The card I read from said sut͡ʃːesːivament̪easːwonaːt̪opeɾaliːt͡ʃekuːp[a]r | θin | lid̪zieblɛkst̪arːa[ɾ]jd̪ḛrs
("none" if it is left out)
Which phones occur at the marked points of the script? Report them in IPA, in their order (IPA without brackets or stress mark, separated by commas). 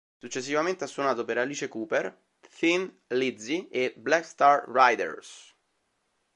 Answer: e, none